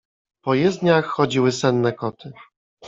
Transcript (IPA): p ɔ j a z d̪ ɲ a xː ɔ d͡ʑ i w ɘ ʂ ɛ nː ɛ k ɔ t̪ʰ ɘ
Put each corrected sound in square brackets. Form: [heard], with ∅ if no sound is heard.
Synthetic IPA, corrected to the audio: p ɔ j [ɛ] z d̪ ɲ a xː ɔ d͡ʑ i w ɘ [s] ɛ nː ɛ k ɔ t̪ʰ ɘ